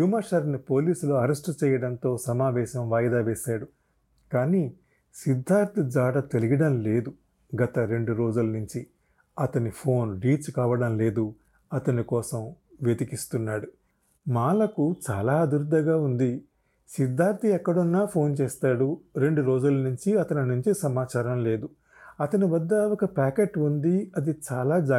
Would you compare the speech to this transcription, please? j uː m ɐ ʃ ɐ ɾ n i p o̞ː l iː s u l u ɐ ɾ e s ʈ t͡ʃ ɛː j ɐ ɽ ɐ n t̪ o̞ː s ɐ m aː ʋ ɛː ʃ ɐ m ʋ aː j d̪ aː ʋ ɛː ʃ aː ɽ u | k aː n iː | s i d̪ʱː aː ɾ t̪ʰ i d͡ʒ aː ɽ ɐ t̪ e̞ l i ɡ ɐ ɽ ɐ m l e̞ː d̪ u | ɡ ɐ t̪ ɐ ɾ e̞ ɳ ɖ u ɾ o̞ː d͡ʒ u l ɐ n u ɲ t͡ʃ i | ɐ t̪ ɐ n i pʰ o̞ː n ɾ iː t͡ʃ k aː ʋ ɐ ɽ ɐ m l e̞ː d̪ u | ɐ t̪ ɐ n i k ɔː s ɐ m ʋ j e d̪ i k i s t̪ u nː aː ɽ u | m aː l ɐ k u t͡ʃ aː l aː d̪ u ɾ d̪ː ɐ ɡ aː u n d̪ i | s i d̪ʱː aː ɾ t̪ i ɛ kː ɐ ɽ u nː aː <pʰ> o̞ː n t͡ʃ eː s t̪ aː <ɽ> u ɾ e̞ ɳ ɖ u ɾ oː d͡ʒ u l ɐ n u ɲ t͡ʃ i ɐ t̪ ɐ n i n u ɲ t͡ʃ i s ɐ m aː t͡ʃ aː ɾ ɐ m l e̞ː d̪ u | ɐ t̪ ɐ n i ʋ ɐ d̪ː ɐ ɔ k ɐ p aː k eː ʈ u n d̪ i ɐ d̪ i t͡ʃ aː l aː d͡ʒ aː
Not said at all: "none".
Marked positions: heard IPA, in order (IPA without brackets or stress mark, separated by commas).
pʰ, ɽ